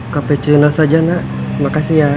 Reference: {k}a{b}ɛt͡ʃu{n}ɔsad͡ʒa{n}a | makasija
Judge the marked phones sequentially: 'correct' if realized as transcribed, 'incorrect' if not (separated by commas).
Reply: correct, incorrect, correct, correct